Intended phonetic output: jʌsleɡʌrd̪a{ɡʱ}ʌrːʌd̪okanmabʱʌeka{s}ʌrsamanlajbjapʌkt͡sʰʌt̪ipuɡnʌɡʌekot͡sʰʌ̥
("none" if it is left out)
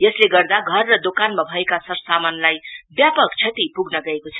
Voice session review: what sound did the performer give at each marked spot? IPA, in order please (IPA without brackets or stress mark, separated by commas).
ɡʱ, s